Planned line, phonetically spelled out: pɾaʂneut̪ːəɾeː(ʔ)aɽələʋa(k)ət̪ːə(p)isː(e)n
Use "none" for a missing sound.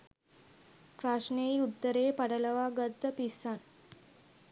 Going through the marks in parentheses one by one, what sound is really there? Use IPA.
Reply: p, ɡ, p, a

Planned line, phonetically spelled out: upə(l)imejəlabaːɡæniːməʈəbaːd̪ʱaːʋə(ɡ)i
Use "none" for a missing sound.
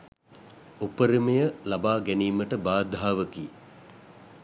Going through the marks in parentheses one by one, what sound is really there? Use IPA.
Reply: ɾ, k

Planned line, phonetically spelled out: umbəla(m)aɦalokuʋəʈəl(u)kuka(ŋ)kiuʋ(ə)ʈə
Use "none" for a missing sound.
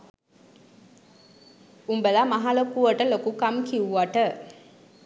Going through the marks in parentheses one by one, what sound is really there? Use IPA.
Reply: m, o, m, a

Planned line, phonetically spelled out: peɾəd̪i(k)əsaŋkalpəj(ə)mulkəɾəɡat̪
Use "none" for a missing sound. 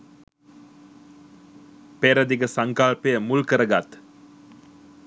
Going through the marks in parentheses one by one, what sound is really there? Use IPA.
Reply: ɡ, ə

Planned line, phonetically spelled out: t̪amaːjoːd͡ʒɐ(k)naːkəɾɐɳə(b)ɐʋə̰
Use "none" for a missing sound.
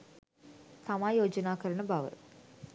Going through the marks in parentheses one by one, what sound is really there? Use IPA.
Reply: none, b

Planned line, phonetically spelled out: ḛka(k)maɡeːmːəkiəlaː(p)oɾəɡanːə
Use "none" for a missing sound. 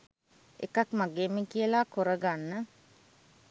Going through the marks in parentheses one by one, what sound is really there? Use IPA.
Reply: k, k

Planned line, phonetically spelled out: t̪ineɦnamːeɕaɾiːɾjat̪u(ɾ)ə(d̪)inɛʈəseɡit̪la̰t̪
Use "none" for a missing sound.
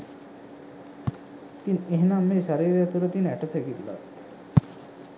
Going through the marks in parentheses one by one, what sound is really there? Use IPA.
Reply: ɾ, t̪

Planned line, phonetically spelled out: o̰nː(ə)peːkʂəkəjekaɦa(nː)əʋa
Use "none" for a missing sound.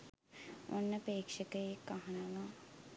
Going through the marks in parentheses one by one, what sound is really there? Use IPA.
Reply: ə, n

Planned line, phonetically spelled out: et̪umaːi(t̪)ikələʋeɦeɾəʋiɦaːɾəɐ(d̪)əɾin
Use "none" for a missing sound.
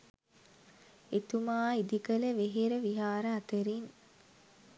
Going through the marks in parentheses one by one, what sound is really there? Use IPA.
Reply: d̪, t̪

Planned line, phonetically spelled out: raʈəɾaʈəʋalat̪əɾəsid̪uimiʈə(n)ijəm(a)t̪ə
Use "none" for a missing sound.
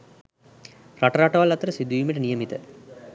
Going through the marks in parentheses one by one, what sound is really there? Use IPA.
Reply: n, i

